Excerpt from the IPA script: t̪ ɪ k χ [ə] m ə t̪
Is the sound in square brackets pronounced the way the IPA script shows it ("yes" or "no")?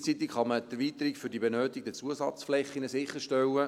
no